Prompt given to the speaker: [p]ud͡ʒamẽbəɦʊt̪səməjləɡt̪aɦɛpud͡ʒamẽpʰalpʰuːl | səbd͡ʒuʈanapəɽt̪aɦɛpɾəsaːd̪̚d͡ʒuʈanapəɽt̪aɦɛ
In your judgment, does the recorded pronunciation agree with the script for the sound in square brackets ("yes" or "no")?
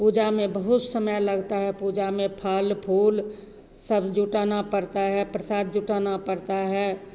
yes